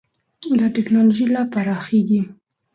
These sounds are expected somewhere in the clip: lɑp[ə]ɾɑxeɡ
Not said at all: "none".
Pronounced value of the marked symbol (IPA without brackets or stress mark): a